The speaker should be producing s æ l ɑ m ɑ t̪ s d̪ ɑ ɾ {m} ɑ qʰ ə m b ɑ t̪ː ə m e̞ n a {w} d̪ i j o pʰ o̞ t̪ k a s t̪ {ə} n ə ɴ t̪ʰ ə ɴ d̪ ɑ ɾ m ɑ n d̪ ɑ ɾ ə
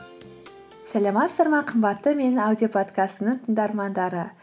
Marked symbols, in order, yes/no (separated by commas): yes, yes, yes